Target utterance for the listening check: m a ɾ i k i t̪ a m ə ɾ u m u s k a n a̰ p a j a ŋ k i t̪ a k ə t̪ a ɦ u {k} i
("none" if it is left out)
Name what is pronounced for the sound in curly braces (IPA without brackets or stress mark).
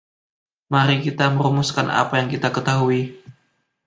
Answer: none